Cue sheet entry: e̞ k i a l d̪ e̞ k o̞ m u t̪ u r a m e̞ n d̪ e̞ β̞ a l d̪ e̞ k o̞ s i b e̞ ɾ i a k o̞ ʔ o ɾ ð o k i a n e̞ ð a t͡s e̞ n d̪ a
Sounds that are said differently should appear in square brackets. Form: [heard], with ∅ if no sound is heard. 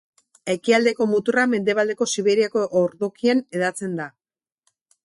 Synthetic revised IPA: e̞ k i a l d̪ e̞ k o̞ m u t̪ u r a m e̞ n d̪ e̞ β̞ a l d̪ e̞ k o̞ s i [β] e̞ ɾ i a k o̞ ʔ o ɾ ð o k i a n e̞ ð a t͡s e̞ n d̪ a